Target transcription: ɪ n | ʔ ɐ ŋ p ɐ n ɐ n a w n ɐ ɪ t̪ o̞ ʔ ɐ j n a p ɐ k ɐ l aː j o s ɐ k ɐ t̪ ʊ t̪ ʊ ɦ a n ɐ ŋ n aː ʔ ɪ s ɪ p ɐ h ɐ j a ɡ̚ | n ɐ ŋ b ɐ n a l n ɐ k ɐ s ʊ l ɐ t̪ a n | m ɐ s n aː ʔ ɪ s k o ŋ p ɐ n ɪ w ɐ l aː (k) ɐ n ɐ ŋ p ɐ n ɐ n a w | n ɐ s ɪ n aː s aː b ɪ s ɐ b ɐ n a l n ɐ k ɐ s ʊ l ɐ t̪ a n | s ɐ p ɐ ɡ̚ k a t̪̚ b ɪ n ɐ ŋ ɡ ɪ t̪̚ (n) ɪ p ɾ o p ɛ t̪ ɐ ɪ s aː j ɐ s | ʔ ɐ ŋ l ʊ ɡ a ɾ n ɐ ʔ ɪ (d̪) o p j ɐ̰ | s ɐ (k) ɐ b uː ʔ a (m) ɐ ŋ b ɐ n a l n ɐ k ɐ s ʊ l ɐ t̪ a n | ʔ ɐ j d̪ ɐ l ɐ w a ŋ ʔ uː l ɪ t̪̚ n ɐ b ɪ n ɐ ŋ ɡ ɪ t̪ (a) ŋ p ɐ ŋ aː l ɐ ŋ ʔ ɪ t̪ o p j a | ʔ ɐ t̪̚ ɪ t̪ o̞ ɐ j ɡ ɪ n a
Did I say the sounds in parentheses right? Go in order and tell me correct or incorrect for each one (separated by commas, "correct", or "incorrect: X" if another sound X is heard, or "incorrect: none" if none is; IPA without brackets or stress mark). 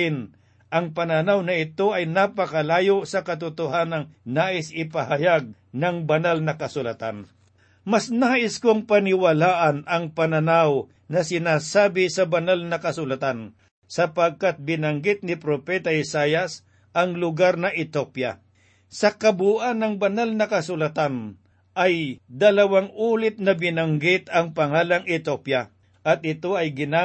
incorrect: ʔ, correct, incorrect: t̪, correct, incorrect: n, incorrect: ɐ